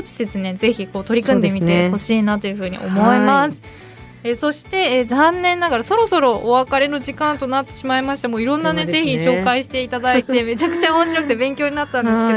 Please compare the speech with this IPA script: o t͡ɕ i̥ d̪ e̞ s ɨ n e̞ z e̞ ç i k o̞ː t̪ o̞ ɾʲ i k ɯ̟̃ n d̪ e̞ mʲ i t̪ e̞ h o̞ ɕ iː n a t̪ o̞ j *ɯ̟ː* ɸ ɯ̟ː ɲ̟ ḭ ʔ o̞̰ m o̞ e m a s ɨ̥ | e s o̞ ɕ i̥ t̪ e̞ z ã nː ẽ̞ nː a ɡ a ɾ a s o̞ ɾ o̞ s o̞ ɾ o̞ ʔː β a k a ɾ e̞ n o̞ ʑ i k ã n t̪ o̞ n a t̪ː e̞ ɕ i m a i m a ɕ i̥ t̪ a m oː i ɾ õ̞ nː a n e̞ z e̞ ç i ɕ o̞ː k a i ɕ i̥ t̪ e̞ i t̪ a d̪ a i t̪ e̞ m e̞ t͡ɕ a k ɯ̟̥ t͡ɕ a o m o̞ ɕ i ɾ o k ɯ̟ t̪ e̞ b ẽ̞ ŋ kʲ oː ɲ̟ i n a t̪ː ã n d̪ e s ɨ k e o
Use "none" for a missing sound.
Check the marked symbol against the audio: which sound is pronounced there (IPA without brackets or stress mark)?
ɯ̟